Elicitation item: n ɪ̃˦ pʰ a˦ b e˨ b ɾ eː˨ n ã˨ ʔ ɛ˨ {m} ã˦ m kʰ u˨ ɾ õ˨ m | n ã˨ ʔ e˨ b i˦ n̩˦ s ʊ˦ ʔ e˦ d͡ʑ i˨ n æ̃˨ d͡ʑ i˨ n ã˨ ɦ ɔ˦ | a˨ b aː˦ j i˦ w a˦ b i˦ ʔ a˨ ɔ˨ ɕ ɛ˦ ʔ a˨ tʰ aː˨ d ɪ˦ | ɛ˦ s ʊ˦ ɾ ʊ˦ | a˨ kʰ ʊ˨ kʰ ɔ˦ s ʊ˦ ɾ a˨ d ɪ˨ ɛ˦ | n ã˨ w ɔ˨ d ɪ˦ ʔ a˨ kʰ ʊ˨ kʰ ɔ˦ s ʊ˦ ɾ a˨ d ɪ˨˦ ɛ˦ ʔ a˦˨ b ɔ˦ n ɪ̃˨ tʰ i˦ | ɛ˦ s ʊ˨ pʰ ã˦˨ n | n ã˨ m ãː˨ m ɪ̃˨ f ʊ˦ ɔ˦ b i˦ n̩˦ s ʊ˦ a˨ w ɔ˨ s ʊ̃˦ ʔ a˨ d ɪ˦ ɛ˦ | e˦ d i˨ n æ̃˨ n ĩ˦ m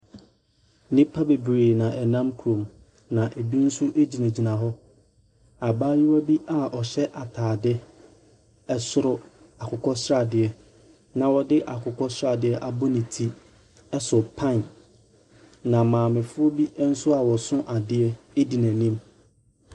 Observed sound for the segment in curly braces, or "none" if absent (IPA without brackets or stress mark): n